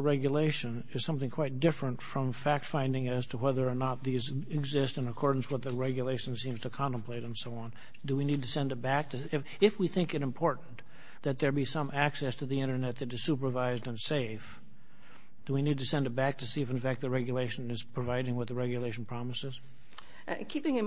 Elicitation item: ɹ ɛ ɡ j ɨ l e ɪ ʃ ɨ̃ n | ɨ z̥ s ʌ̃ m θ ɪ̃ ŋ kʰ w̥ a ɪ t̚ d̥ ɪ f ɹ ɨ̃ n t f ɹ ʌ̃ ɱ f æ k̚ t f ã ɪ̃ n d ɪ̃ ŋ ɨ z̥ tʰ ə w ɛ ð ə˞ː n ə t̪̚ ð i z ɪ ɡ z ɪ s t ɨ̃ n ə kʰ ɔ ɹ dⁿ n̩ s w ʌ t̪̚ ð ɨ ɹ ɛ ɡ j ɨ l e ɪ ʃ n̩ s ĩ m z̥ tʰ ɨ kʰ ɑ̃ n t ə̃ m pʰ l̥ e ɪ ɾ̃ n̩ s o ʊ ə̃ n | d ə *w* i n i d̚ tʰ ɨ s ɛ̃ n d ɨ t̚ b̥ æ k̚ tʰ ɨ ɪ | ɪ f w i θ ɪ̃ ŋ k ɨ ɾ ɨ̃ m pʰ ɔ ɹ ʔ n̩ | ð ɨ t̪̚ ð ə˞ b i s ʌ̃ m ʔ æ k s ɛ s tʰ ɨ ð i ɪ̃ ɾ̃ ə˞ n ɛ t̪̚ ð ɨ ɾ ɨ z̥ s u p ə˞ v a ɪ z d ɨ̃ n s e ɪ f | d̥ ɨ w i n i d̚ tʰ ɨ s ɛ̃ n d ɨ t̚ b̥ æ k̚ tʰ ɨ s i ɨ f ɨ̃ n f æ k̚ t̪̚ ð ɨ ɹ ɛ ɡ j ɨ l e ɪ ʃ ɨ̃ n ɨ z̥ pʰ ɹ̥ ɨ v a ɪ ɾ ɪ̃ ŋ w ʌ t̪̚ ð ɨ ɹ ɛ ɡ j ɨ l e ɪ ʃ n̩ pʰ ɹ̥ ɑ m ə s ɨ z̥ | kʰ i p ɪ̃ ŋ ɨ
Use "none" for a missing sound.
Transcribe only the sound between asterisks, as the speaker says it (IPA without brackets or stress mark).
w